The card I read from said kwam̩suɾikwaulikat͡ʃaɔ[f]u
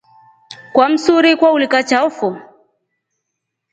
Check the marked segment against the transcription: correct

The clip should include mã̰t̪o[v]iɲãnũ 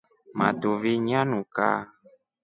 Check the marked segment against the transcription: correct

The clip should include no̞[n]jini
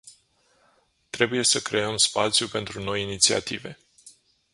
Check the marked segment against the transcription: incorrect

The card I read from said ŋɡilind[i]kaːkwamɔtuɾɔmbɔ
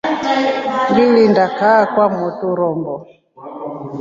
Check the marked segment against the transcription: incorrect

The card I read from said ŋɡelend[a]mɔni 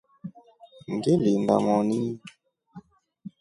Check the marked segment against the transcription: correct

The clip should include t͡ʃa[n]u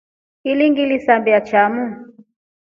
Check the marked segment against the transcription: incorrect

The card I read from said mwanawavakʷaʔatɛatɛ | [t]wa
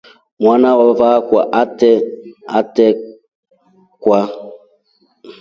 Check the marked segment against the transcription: incorrect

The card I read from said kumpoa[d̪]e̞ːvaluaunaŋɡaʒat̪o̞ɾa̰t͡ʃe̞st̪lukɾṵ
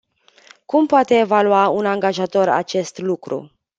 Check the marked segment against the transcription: incorrect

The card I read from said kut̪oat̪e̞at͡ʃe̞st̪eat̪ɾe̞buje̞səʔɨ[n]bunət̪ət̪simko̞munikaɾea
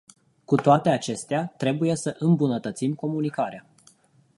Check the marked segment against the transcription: incorrect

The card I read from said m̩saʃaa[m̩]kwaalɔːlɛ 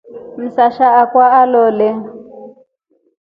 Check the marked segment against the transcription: incorrect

